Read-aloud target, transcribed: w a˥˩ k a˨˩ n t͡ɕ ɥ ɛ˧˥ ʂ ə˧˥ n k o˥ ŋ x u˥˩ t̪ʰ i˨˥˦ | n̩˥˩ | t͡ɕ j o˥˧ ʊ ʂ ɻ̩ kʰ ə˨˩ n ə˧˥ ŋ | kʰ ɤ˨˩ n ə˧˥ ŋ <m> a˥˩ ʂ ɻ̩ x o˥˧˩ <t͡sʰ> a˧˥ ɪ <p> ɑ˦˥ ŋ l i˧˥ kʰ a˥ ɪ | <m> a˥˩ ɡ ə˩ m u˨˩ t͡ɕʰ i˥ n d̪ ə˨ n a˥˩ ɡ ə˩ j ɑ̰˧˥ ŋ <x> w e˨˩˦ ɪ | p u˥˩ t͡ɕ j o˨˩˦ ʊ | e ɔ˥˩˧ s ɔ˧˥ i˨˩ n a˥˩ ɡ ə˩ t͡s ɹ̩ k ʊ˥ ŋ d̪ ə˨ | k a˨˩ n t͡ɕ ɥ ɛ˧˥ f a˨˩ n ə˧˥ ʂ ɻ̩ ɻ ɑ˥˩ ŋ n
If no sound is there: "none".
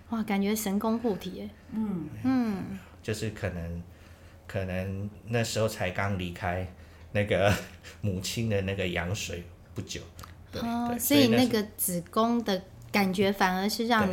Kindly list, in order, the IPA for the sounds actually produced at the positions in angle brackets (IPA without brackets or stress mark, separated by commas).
n, t͡sʰ, k, n, ʂ